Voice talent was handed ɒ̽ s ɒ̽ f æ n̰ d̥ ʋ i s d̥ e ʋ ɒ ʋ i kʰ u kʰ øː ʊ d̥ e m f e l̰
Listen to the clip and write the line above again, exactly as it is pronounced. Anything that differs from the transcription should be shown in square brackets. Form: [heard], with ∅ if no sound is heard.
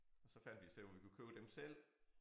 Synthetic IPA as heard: ɒ̽ s ɒ̽ f æ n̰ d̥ ʋ i s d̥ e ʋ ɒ ʋ i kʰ u kʰ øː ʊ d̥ e m [s] e l̰

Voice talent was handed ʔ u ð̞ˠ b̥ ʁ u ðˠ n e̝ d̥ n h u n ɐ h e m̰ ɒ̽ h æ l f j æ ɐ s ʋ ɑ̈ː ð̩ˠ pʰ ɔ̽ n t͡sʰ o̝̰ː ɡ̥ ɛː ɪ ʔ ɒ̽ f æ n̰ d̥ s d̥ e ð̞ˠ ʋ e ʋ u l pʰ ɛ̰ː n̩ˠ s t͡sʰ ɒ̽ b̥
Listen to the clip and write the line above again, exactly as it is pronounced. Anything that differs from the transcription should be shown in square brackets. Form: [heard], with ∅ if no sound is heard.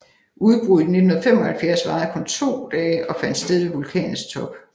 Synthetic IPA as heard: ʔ u ð̞ˠ b̥ ʁ u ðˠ n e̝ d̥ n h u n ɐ [f] e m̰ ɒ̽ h æ l f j æ ɐ s ʋ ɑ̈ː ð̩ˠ [kʰ] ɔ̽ n t͡sʰ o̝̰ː [d̥] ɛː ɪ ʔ ɒ̽ f æ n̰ d̥ s d̥ e ð̞ˠ ʋ e ʋ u l [kʰ] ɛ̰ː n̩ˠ s t͡sʰ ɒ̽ b̥

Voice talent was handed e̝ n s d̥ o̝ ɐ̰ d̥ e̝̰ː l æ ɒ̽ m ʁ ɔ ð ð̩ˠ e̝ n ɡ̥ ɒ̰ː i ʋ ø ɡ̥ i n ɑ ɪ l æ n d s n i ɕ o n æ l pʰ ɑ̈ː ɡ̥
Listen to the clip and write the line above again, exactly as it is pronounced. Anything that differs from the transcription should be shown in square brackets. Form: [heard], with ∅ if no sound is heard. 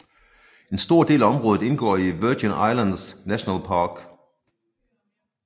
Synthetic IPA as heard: e̝ n s d̥ o̝ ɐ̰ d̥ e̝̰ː l æ ɒ̽ m ʁ ɔ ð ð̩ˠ e̝ n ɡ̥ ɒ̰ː i ʋ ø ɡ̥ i n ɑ ɪ l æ n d s n [æ] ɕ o n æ l pʰ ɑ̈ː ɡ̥

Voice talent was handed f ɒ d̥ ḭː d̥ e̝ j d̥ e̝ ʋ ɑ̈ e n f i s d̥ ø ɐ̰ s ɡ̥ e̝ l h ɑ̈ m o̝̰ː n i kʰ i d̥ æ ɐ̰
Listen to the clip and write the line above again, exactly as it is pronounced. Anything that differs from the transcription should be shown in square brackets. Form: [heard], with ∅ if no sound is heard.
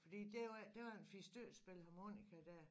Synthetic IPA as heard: f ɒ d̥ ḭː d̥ e̝ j d̥ e̝ ʋ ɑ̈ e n f i s d̥ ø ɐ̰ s [b̥] e̝ l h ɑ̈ m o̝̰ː n i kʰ [æ] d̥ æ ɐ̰

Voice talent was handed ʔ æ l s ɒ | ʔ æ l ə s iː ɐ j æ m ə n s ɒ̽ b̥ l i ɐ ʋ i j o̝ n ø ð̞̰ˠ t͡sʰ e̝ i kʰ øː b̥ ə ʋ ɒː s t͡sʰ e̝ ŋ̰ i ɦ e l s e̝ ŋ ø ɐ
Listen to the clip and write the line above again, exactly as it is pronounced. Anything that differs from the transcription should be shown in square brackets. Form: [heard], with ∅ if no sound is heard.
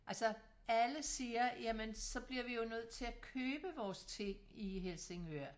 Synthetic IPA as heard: ʔ æ l s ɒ | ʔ æ l ə s iː ɐ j æ m ə n s ɒ̽ b̥ l i ɐ ʋ i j o̝ n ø ð̞̰ˠ t͡sʰ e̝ [æ] kʰ øː b̥ ə ʋ ɒː s t͡sʰ e̝ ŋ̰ i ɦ e l s e̝ ŋ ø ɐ

